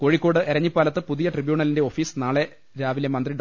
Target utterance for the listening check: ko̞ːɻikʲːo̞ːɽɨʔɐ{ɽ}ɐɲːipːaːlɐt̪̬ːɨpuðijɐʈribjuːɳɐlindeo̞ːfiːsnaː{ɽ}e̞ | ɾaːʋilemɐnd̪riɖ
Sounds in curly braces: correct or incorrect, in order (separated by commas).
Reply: incorrect, incorrect